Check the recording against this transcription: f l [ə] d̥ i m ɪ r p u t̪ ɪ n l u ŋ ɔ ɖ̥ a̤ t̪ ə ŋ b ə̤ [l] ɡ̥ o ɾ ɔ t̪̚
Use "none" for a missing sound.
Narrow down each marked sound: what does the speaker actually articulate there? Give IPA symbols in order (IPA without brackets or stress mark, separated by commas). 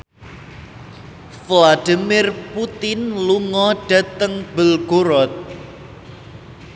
a, l